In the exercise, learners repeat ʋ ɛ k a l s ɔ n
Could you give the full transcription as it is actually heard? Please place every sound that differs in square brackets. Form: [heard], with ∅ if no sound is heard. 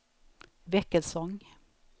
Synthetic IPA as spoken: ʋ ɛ k [ə] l s ɔ [ŋ]